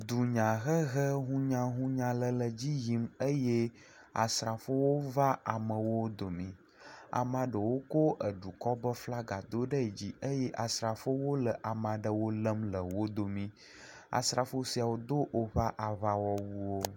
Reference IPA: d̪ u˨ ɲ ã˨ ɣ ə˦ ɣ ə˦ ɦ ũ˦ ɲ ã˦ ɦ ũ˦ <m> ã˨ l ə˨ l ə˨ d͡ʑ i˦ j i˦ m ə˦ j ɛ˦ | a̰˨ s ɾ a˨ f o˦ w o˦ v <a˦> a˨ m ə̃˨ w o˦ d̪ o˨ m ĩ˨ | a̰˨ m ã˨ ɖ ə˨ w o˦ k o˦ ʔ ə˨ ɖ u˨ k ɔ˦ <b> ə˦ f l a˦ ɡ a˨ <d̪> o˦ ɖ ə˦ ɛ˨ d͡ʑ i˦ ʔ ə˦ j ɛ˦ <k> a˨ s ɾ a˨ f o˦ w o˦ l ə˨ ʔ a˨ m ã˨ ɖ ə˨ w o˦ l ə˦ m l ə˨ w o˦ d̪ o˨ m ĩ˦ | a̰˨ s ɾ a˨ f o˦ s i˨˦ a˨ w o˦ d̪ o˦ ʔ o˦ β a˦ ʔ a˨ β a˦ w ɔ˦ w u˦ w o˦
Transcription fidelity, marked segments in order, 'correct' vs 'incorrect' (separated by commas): incorrect, correct, correct, correct, incorrect